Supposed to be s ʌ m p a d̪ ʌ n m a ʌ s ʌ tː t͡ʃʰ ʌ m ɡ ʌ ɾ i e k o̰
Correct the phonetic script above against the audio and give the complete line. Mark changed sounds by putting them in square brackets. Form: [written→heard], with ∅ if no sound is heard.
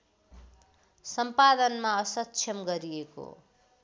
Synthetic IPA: s ʌ m p a d̪ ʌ n m a ʌ s ʌ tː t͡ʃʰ ʌ m ɡ ʌ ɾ i e k o̰